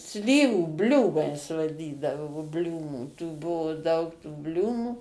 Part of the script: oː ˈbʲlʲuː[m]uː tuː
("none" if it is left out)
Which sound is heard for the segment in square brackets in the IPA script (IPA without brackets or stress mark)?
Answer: m